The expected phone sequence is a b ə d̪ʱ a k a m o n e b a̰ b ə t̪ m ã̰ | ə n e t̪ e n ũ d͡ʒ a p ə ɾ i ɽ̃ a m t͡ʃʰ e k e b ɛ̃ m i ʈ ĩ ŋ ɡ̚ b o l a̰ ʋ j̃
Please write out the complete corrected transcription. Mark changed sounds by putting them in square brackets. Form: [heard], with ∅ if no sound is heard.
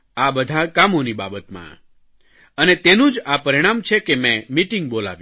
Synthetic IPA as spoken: a b ə d̪ʱ a k a m o n [i] b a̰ b ə t̪ m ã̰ | ə n e t̪ e n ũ d͡ʒ a p ə ɾ i ɽ̃ a m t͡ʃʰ e k e [m] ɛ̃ m i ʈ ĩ ŋ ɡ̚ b o l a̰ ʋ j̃